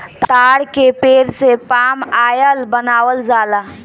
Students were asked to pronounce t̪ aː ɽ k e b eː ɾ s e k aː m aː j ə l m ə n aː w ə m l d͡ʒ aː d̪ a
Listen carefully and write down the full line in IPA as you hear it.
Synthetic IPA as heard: t̪ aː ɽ k e p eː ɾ s e p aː m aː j ə l b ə n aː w ə l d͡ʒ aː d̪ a